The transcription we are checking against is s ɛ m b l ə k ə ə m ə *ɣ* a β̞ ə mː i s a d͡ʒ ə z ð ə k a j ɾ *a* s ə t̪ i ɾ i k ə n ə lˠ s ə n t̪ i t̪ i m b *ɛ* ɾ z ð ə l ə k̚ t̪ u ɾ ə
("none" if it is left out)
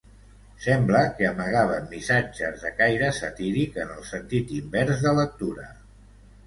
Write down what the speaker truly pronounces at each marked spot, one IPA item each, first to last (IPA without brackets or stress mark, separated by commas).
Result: ɣ, ə, ɛ